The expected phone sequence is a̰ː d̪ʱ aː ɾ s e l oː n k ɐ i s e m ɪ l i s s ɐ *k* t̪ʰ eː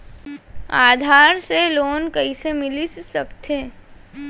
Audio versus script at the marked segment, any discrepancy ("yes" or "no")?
no